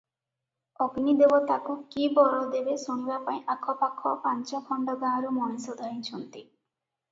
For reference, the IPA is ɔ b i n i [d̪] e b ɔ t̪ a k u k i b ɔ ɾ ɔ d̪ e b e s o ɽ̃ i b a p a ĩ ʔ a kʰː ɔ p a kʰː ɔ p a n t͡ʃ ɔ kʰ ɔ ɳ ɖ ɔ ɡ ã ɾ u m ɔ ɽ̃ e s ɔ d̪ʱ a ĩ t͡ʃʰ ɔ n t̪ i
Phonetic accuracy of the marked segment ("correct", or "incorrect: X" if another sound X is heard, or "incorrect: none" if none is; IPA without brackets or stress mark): correct